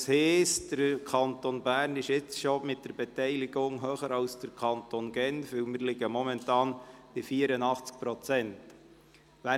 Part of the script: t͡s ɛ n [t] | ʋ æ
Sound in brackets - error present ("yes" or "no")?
no